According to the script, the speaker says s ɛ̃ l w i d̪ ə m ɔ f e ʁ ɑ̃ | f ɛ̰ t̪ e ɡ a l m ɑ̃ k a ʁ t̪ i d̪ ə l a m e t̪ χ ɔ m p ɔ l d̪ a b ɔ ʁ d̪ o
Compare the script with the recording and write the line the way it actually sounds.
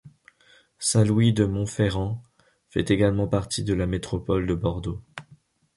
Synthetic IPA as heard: s ɛ̃ l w i d̪ ə m ɔ̃ f e ʁ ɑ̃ | f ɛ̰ t̪ e ɡ a l m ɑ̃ p a ʁ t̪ i d̪ ə l a m e t̪ χ ɔ p ɔ l d̪ ə b ɔ ʁ d̪ o